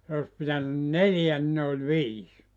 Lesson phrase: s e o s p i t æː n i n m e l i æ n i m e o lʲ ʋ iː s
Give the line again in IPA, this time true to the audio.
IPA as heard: s e o s p i t æ n y n n e l j æ n i n e o lʲ ʋ iː s